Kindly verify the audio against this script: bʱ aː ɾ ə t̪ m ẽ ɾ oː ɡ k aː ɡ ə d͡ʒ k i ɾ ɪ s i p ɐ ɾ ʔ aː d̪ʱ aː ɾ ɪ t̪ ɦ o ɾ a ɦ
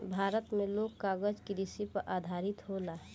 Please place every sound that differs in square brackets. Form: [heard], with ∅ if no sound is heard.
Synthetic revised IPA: bʱ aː ɾ ə t̪ m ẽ [l] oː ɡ k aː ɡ ə d͡ʒ k i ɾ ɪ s i p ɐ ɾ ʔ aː d̪ʱ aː ɾ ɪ t̪ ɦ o [l] a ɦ